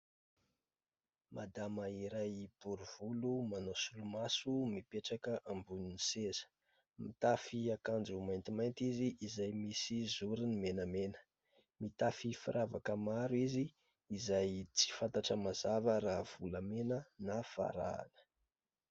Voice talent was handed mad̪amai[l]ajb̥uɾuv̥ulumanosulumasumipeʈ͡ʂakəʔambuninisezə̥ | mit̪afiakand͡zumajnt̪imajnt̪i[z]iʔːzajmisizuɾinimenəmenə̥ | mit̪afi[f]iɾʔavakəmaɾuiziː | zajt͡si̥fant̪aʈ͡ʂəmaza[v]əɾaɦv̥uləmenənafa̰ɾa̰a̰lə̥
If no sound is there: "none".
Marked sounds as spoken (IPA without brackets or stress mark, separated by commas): ɾ, z, f, v